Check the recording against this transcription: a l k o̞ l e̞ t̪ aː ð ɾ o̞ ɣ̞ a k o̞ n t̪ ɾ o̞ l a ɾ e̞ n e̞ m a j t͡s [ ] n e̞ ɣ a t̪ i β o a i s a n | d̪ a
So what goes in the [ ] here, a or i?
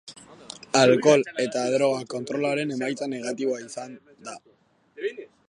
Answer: a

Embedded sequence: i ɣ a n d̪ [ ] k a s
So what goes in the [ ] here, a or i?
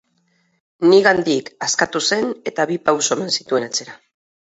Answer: i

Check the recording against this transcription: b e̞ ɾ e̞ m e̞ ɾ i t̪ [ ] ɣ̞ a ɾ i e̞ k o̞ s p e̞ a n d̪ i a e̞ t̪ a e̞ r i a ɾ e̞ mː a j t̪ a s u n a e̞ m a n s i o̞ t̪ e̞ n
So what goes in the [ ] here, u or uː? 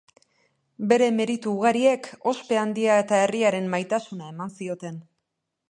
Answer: uː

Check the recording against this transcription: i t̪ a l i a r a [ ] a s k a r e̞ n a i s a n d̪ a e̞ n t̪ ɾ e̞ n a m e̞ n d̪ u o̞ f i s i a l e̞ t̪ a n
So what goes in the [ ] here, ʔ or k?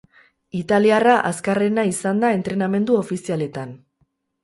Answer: ʔ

